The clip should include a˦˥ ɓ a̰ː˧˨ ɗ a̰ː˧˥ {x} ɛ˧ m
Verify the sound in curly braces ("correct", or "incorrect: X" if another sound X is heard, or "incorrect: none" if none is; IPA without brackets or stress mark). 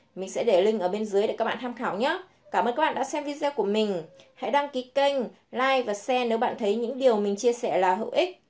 incorrect: s